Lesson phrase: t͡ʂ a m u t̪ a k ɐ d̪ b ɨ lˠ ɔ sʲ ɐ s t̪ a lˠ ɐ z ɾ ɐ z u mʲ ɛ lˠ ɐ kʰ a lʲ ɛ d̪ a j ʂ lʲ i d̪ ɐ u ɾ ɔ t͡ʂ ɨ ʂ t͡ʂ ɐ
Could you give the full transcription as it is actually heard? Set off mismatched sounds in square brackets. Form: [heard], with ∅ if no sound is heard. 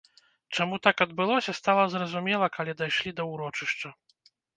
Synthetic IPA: t͡ʂ a m u t̪ a k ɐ d̪ b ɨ lˠ ɔ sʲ ɐ s t̪ a lˠ ɐ z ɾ ɐ z u mʲ ɛ lˠ ɐ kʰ a lʲ ɛ d̪ a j ʂ lʲ i d̪ ɐ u ɾ ɔ t͡ʂ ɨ ʂ t͡ʂ ɐ